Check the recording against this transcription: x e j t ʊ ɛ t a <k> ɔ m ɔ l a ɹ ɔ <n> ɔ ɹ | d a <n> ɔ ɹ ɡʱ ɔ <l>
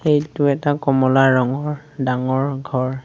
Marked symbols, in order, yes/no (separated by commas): yes, no, no, no